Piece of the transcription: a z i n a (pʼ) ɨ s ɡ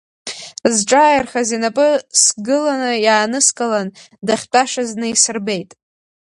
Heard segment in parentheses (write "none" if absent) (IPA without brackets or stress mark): pʼ